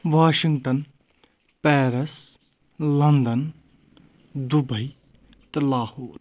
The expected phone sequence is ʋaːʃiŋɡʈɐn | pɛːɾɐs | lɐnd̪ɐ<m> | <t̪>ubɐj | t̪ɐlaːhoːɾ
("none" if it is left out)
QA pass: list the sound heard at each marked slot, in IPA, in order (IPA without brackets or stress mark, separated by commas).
n, d̪